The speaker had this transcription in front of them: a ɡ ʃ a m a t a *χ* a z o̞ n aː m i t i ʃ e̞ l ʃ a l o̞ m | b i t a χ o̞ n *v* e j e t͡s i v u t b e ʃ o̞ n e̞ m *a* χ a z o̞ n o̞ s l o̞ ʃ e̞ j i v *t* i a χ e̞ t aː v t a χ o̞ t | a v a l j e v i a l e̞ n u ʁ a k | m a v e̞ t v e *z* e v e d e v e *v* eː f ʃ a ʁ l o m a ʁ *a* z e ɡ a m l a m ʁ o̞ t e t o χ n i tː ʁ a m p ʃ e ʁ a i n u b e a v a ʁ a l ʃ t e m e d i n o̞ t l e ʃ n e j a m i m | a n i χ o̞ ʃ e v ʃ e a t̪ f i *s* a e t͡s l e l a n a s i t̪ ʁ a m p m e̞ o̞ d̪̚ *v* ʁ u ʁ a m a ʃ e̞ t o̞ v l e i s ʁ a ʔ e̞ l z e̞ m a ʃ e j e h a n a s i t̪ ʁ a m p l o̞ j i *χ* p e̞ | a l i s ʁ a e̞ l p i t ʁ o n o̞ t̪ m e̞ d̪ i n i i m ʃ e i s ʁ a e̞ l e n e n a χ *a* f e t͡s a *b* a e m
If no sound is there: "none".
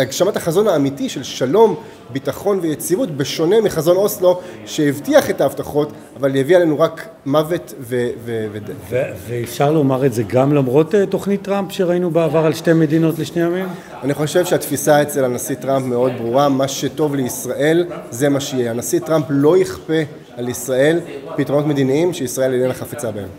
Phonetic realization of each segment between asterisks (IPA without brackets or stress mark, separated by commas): χ, v, i, t, v, v, e, s, b, χ, a, b